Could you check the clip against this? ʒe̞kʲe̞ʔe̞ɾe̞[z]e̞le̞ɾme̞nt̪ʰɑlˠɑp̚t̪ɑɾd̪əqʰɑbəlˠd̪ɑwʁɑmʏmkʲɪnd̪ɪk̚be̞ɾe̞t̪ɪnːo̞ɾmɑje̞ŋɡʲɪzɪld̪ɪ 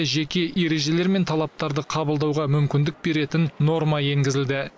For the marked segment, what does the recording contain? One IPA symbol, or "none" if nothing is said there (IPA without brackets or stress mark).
ʒ